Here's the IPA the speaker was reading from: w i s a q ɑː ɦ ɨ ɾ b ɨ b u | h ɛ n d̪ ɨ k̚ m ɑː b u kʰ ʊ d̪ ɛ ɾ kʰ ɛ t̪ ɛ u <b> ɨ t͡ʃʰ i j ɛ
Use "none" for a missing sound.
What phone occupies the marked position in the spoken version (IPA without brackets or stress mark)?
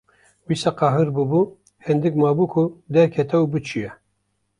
b